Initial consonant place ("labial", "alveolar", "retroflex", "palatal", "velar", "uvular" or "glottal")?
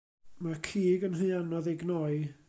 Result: labial